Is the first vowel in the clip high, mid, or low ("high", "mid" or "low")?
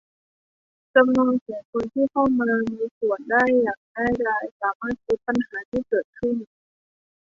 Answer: low